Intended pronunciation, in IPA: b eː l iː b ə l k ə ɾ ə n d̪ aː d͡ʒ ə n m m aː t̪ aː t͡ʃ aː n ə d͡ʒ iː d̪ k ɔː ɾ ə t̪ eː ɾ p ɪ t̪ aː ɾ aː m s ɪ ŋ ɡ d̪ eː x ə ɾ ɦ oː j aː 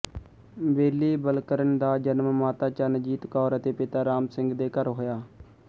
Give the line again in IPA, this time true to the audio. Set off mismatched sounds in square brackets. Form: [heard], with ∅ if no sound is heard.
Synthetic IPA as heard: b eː l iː b ə l k ə ɾ ə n d̪ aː d͡ʒ ə n m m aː t̪ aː t͡ʃ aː n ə d͡ʒ iː [t̪] k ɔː ɾ ə t̪ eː [∅] p ɪ t̪ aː ɾ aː m s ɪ ŋ ɡ d̪ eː [k] ə ɾ ɦ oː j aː